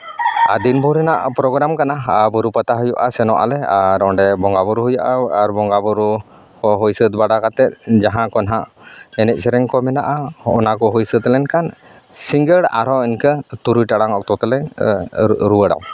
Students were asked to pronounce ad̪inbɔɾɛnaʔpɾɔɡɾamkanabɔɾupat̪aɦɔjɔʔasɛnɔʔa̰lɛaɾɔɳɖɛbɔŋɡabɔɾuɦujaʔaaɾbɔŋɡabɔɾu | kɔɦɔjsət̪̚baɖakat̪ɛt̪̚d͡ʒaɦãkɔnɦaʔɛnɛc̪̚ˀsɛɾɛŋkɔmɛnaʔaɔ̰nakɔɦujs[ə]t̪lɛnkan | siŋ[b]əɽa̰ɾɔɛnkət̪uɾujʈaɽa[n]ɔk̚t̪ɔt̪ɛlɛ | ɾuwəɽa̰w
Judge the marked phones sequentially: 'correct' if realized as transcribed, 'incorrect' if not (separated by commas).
correct, incorrect, incorrect